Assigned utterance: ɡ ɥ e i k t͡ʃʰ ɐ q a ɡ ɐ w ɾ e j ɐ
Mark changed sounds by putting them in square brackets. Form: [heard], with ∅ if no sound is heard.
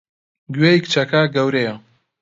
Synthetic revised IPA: ɡ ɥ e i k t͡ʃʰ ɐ [k] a ɡ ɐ w ɾ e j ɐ